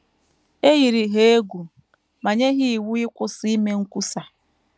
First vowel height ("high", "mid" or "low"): mid